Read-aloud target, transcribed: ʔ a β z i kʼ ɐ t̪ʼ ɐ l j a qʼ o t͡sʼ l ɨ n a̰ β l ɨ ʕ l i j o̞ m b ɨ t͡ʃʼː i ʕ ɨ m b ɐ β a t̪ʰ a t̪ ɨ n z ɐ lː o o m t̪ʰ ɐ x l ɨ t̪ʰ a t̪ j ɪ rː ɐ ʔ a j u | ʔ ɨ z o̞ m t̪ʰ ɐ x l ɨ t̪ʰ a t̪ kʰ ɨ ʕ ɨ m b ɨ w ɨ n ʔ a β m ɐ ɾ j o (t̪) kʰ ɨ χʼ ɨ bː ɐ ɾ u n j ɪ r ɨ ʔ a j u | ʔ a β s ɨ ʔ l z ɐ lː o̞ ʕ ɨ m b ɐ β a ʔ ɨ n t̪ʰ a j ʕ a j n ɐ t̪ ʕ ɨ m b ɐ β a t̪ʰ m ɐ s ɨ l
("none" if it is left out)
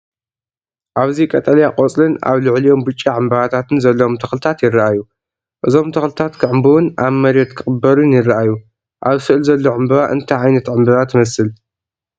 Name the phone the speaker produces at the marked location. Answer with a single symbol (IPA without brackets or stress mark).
t̪